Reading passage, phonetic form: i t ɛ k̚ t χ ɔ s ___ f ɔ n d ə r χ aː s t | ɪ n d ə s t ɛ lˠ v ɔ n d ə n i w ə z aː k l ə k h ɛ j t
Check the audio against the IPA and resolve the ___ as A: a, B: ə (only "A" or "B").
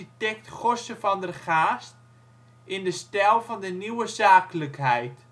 B